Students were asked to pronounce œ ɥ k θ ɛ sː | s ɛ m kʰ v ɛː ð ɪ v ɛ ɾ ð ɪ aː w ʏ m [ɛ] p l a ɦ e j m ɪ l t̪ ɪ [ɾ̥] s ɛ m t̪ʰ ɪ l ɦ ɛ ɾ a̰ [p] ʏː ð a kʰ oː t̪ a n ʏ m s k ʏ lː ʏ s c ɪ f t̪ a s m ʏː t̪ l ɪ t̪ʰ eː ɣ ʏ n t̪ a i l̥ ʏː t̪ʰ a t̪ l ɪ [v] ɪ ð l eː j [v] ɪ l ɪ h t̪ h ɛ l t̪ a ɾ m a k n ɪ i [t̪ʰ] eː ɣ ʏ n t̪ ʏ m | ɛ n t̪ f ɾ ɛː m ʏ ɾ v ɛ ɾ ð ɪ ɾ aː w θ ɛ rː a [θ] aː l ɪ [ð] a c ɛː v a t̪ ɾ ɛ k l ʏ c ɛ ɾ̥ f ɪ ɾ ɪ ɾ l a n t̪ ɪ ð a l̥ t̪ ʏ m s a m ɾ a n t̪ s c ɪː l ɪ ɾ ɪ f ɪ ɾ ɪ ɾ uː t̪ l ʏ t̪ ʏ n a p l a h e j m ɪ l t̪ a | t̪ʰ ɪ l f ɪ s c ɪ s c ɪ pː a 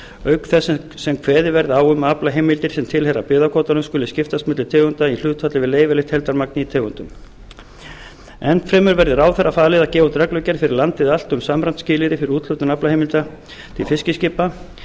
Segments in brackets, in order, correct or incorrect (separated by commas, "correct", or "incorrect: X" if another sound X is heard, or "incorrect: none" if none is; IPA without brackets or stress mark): incorrect: a, correct, correct, correct, correct, correct, incorrect: f, correct